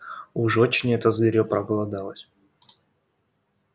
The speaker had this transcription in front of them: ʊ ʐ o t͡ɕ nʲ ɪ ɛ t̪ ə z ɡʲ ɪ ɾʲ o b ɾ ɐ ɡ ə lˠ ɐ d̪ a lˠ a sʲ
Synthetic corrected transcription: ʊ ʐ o t͡ɕ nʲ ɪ ɛ t̪ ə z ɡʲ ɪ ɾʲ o p ɾ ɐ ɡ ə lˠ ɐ d̪ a lˠ ə sʲ